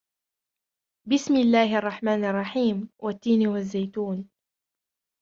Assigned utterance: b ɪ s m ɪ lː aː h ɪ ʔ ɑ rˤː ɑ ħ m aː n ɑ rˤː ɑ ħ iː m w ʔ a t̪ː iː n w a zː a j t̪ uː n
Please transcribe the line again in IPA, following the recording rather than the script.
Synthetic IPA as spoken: b ɪ s m ɪ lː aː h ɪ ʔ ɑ rˤː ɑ ħ m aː n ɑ rˤː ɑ ħ iː m w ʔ a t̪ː iː n w a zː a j t̪ uː n